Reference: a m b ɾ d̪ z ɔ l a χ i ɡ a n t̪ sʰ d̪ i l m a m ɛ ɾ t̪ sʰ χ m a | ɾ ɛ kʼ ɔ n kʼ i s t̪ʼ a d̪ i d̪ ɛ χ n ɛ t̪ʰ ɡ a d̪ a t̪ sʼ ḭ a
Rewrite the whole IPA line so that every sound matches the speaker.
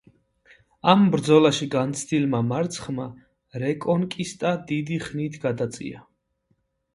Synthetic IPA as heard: a m b ɾ d̪ z ɔ l a ʃ i ɡ a n t̪ sʰ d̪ i l m a m a ɾ t̪ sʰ χ m a | ɾ ɛ kʼ ɔ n kʼ i s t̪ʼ a d̪ i d̪ i χ n i t̪ʰ ɡ a d̪ a t̪ sʼ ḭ a